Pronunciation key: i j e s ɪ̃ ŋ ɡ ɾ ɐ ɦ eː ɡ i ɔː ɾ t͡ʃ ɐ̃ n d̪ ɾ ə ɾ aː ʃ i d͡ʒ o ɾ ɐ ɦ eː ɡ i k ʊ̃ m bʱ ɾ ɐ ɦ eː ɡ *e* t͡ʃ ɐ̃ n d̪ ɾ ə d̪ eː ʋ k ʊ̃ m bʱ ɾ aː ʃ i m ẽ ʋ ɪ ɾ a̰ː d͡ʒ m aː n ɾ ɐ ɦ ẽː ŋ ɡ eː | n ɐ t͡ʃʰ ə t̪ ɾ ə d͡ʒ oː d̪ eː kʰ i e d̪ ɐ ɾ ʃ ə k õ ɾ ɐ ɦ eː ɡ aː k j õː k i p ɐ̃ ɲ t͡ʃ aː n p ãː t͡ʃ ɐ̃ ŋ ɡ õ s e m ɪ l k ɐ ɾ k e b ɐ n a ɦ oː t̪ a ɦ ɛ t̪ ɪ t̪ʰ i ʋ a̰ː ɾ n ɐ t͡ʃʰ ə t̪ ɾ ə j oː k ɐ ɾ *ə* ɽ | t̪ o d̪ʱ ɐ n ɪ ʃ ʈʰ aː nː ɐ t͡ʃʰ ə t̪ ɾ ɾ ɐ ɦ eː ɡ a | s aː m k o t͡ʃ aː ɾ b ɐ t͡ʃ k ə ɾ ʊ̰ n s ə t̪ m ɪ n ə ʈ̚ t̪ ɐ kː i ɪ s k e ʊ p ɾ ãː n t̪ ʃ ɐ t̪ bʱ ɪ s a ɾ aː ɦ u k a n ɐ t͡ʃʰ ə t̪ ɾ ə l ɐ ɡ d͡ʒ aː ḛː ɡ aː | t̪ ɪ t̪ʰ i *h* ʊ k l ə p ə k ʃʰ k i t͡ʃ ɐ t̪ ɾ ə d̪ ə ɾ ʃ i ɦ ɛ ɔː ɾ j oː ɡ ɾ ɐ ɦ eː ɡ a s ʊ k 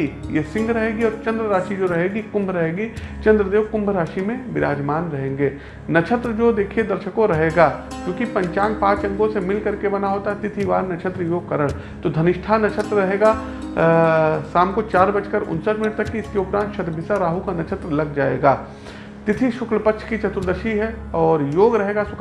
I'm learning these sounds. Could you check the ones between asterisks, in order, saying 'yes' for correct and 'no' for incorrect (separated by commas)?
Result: no, yes, no